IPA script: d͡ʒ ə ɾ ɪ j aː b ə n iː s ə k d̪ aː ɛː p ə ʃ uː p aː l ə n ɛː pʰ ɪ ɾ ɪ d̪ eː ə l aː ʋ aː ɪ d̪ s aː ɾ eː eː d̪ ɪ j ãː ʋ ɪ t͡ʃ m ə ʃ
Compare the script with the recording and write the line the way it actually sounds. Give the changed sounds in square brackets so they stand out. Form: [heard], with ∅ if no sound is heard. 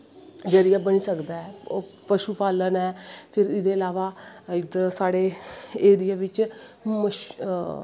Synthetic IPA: d͡ʒ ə ɾ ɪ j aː b ə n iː s ə k d̪ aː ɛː p ə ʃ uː p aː l ə n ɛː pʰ ɪ ɾ ɪ d̪ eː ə l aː ʋ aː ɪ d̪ s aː [ɽ] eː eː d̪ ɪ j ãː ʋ ɪ t͡ʃ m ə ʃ